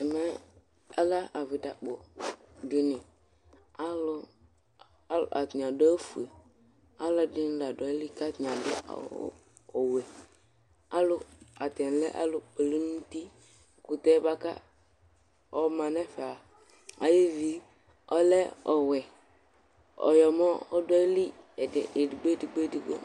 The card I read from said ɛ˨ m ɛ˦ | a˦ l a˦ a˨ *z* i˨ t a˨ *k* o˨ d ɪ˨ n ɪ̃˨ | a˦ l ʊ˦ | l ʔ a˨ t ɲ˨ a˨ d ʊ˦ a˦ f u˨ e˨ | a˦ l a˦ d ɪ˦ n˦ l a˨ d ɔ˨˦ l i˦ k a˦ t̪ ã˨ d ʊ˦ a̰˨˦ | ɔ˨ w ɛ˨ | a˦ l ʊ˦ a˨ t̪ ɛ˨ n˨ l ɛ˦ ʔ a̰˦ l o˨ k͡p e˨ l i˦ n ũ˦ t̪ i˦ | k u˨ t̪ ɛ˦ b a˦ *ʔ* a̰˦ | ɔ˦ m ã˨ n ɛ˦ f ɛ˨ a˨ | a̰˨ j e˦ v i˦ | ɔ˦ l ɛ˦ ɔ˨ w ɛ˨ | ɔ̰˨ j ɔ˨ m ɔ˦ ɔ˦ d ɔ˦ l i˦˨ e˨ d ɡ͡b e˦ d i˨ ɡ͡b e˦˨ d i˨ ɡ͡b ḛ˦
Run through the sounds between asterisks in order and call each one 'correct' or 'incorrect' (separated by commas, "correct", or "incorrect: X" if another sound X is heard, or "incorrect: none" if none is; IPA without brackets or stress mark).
incorrect: v, incorrect: k͡p, incorrect: k